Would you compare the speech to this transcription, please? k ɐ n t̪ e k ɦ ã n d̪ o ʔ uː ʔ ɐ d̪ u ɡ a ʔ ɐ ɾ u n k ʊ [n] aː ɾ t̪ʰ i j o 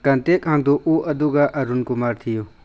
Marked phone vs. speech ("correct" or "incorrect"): incorrect